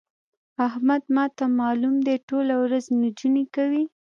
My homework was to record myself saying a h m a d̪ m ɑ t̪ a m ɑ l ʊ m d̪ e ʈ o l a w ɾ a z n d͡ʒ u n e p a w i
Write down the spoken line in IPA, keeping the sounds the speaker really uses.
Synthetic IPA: a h m a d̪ m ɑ t̪ a m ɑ l u m d̪ e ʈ o l a w ɾ a z n d͡ʒ u n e k a w i